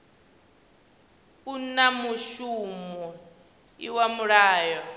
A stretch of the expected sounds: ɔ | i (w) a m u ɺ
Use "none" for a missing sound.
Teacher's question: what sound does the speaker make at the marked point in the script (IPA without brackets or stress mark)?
w